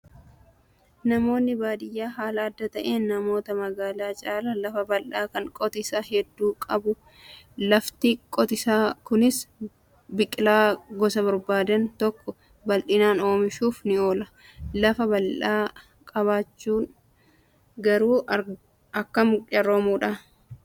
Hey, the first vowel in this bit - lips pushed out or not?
no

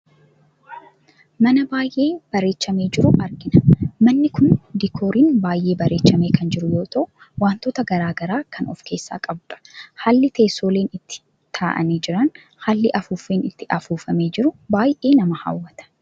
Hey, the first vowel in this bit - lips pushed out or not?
no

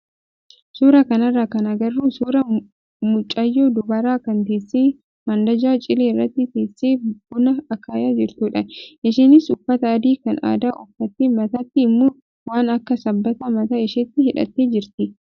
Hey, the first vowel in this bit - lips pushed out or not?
yes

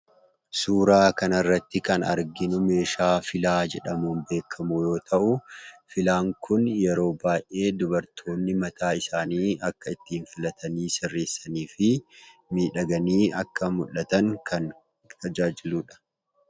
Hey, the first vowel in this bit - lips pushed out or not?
yes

